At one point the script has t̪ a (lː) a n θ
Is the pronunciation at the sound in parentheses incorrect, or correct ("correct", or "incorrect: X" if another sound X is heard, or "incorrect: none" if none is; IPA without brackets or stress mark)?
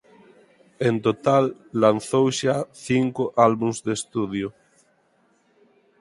correct